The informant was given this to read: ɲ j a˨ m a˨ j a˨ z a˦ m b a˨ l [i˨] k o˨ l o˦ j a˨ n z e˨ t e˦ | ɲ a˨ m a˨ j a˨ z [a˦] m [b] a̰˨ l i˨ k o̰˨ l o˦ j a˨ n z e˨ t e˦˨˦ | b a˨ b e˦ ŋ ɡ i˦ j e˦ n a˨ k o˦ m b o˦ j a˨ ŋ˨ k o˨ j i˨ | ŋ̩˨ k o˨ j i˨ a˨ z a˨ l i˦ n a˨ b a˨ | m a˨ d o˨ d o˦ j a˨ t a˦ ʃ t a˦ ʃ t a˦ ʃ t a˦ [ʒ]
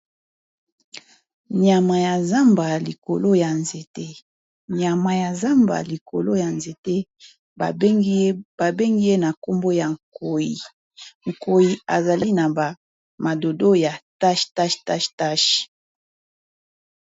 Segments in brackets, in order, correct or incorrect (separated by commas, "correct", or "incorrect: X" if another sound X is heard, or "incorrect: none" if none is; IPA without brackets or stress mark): correct, correct, correct, incorrect: ʃ